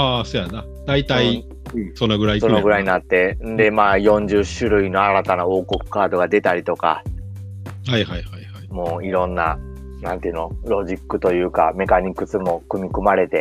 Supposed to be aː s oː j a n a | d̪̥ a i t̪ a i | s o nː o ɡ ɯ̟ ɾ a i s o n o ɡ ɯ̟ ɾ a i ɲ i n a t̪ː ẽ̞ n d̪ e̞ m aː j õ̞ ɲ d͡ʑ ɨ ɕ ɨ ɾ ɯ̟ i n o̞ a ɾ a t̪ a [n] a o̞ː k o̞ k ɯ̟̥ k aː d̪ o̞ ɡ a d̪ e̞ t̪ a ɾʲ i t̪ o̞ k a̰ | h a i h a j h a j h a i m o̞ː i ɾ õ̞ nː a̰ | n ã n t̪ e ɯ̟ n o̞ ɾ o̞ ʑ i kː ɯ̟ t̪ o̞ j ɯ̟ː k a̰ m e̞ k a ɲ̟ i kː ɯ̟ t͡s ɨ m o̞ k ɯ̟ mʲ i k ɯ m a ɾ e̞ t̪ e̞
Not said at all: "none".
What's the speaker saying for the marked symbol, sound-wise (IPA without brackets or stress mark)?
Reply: n